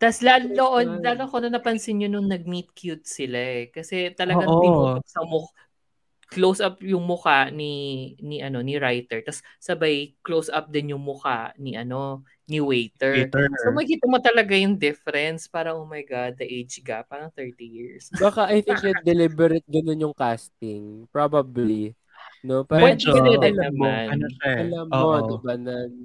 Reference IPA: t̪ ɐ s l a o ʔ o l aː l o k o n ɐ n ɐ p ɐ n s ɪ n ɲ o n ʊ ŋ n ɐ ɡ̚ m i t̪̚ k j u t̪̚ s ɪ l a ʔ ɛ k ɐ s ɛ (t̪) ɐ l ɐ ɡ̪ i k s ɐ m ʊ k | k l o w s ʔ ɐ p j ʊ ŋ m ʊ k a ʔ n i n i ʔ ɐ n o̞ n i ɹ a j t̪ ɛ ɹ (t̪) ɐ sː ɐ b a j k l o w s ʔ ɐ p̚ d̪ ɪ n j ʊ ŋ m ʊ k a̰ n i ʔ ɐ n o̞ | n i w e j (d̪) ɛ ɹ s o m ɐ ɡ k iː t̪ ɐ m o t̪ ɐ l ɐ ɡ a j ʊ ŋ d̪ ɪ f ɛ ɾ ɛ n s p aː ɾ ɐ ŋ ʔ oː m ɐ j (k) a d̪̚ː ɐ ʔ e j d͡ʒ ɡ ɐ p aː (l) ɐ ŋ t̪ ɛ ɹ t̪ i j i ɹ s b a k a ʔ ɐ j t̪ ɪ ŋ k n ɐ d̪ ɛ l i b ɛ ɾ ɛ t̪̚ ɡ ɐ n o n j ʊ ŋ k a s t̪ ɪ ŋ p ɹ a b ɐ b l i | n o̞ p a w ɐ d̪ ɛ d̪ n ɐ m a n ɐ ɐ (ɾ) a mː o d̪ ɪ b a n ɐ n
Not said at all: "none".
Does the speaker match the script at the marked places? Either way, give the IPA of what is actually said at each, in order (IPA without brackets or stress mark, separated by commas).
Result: t̪, t̪, t̪, ɡ, ɾ, l